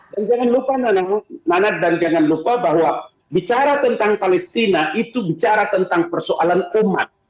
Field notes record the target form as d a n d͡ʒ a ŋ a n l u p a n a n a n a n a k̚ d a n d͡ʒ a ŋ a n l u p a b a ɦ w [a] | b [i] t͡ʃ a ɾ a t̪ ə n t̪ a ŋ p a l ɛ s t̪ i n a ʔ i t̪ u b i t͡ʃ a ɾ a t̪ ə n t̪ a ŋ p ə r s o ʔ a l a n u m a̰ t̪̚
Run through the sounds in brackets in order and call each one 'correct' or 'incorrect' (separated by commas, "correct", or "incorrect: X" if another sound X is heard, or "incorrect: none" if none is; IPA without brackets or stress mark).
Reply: correct, correct